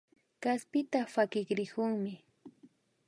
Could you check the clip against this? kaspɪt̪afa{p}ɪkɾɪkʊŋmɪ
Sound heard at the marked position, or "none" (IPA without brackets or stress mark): k